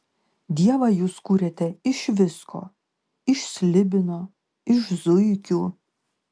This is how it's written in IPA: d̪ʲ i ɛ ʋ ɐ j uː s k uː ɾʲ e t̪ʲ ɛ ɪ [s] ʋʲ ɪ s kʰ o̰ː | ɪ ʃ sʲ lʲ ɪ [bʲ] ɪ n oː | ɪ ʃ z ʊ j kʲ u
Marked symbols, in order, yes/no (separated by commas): no, yes